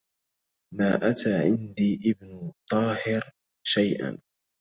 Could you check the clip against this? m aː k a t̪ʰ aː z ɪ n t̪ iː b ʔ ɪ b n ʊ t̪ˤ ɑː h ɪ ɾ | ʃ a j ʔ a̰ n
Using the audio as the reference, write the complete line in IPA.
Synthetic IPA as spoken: m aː ʔ a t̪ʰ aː ʕ ɪ n d̪ iː ʔ ɪ b n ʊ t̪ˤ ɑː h ɪ ɾ | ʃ a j ʔ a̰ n

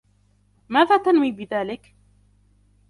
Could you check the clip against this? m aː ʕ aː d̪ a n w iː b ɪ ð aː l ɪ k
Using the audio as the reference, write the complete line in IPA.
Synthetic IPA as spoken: m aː ð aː t̪ a n w iː b ɪ ð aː l ɪ k

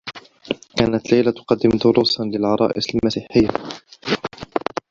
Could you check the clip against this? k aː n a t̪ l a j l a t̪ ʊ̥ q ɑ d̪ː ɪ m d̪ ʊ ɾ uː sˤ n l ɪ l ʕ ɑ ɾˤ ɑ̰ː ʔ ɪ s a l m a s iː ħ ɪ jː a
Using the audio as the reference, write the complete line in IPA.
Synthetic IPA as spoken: k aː n a t̪ l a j l a t̪ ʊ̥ q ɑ d̪ː ɪ m d̪ ʊ ɾ uː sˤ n l ɪ l ʕ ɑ ɾˤ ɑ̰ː ʔ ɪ s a l m a s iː ħ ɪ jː a

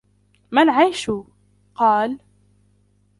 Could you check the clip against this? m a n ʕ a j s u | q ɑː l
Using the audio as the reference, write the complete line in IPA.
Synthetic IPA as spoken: m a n ʕ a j ʃ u | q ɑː l

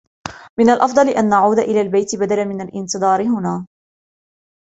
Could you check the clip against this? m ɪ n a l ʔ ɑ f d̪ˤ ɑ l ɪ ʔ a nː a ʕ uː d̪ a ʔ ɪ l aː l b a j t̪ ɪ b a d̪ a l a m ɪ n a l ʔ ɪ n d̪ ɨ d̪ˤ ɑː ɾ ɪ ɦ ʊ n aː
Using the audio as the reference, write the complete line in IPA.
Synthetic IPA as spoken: m ɪ n a l ʔ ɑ f d̪ˤ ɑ l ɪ ʔ a nː a ʕ uː d̪ a ʔ ɪ l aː l b a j t̪ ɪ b a d̪ a l a m ɪ n a l ʔ ɪ n t̪ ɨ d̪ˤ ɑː ɾ ɪ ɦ ʊ n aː

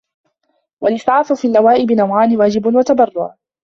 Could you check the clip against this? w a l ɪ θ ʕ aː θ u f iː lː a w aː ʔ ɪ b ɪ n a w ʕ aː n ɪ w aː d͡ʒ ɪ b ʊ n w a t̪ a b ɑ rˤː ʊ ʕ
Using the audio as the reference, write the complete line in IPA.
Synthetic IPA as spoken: w a l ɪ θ ʕ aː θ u f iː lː a w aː ʔ ɪ b ɪ n a w ʕ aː n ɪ w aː d͡ʒ ɪ b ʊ n w a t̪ a b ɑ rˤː ʊ ʕ

